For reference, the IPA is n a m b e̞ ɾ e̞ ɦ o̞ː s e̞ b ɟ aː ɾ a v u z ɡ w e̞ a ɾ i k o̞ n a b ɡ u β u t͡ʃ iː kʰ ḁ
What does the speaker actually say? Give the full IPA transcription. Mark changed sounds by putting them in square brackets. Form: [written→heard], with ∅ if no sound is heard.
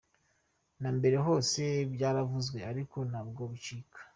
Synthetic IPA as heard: n a m b e̞ ɾ e̞ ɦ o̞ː s e̞ b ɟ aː ɾ a v u z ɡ w e̞ a ɾ i k o̞ n a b ɡ [u→o] β u t͡ʃ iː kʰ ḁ